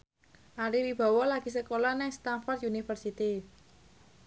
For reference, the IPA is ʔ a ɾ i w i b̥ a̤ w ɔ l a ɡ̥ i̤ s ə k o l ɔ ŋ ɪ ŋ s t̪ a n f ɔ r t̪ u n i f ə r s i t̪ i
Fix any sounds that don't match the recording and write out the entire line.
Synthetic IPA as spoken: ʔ a ɾ i w i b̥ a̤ w ɔ l a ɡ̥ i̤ s ə k o l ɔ n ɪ ŋ s t̪ a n f ɔ r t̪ u n i f ə r s i t̪ i